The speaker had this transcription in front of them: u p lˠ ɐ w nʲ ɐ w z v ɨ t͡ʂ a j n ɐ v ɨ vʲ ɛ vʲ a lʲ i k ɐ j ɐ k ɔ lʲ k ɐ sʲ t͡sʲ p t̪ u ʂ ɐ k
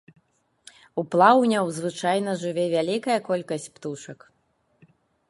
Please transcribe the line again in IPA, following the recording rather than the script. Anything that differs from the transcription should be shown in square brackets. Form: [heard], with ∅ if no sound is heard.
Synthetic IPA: u p lˠ [a] w nʲ ɐ w z v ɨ t͡ʂ a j n ɐ [ʐ] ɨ vʲ ɛ vʲ a lʲ i k ɐ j ɐ k ɔ lʲ k ɐ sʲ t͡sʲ p t̪ u ʂ ɐ k